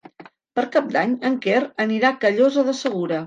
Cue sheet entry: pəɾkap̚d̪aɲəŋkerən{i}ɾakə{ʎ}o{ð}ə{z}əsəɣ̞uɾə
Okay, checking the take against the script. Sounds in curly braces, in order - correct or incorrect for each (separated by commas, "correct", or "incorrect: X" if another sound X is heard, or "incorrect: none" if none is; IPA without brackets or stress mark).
correct, correct, incorrect: z, incorrect: ð